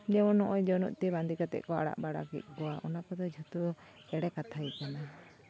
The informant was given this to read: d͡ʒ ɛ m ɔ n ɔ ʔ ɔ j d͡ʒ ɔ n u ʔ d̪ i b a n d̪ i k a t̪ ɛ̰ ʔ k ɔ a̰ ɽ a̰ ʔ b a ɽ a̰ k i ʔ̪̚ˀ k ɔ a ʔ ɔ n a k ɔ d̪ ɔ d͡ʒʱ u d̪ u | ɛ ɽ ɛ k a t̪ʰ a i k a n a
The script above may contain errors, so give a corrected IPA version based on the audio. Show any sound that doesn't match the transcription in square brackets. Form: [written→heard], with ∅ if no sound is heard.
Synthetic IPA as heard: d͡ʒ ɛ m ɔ n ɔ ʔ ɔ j d͡ʒ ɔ n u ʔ [d̪→t̪] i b a n d̪ i k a t̪ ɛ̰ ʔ k ɔ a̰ ɽ a̰ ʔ b a ɽ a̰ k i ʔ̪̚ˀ k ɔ a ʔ ɔ n a k ɔ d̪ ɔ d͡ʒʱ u [d̪→t̪] u | ɛ ɽ ɛ k a t̪ʰ a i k a n a